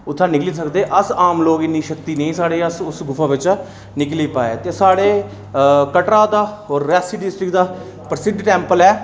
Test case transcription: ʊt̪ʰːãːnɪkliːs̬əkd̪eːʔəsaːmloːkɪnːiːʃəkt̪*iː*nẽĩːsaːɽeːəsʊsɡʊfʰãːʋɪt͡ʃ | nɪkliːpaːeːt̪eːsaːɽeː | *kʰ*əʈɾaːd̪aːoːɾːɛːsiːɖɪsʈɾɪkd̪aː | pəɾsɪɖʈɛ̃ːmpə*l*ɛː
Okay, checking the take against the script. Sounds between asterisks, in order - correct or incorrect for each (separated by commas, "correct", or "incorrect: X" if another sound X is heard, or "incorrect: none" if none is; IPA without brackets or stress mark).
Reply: correct, incorrect: k, correct